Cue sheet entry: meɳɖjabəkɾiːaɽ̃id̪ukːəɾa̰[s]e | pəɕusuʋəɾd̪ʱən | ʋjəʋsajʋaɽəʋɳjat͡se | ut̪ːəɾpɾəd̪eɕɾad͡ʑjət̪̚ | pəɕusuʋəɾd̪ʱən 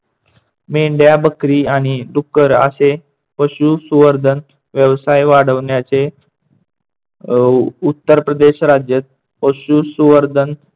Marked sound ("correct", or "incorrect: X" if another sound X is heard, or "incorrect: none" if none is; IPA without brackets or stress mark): correct